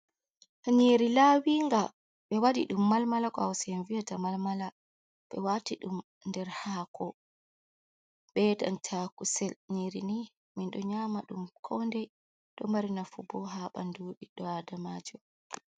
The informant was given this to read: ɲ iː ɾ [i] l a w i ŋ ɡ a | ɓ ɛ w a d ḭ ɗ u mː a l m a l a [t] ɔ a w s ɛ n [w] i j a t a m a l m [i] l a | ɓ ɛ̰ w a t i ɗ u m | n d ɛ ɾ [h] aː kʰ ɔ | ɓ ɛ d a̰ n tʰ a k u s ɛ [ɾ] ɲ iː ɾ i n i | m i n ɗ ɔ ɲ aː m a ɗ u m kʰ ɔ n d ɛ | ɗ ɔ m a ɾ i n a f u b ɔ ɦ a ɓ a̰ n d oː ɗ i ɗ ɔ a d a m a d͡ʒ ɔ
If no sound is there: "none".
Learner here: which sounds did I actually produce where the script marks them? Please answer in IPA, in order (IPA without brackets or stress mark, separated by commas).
i, k, v, a, h, l